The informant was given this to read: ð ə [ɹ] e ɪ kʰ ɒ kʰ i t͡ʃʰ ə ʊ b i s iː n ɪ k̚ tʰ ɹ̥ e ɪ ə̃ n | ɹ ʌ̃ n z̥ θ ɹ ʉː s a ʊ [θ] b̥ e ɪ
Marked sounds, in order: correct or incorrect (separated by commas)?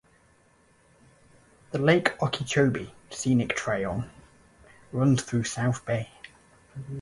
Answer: incorrect, correct